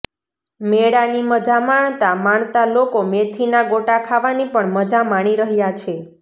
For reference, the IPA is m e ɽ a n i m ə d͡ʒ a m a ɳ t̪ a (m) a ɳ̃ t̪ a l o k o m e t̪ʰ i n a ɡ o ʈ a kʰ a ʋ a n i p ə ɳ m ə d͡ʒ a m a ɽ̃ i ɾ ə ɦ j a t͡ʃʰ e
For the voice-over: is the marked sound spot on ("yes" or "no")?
yes